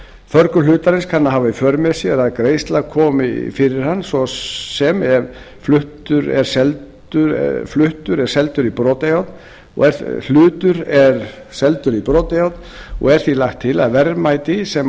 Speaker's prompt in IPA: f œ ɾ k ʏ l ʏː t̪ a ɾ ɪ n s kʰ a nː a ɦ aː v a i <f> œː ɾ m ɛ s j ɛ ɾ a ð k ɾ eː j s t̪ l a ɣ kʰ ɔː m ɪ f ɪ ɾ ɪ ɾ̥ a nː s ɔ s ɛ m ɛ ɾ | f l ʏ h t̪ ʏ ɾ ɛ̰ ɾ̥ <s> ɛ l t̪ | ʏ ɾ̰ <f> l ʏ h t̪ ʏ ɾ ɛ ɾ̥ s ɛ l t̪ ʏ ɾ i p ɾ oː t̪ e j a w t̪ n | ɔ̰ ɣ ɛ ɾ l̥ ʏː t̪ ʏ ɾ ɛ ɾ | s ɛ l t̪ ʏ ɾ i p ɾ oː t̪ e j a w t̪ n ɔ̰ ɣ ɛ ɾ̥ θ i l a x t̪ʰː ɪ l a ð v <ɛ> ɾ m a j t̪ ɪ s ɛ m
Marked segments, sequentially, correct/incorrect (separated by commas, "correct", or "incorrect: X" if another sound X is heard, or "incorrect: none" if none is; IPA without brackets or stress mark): correct, correct, correct, correct